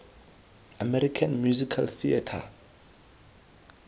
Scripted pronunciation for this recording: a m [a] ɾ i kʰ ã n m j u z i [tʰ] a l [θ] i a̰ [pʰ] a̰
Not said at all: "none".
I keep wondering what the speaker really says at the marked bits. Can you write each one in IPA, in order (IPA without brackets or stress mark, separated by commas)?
ɛ, kʰ, θ, tʰ